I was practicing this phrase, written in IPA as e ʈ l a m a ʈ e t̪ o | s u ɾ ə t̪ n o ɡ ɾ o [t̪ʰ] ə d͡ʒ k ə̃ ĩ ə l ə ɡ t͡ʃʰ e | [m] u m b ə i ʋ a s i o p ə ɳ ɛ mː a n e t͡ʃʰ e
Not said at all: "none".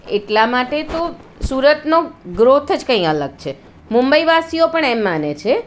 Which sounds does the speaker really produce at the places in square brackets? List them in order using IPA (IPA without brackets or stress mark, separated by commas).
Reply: t̪ʰ, m